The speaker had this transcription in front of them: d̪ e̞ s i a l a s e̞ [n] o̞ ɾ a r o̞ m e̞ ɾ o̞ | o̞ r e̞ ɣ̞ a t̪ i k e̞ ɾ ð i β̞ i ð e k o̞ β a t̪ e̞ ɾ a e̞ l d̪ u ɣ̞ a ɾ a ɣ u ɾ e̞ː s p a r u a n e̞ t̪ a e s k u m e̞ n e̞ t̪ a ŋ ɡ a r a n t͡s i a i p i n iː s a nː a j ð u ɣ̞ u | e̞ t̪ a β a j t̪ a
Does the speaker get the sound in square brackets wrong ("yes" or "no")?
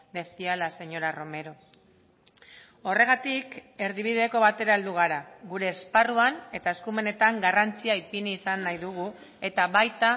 yes